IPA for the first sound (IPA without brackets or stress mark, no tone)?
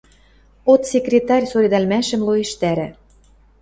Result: o